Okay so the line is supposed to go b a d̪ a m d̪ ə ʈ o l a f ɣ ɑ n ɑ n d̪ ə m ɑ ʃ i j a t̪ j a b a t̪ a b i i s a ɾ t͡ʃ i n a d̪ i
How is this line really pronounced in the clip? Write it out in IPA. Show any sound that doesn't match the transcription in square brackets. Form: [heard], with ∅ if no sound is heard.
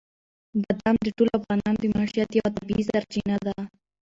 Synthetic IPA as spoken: b a d̪ a m d̪ ə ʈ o l a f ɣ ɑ n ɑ n d̪ ə m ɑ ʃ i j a t̪ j a [w] a t̪ a b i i s a ɾ t͡ʃ i n a d̪ [a]